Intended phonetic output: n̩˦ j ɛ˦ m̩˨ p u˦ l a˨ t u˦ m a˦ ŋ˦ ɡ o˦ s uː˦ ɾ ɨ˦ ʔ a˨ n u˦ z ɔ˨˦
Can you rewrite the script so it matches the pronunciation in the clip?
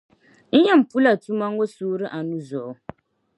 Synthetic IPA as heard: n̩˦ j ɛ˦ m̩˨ p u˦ l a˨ t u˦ m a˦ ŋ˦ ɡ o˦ s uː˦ ɾ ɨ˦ ʔ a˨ n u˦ z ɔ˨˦